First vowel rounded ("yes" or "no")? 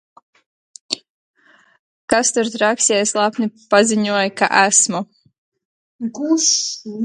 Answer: no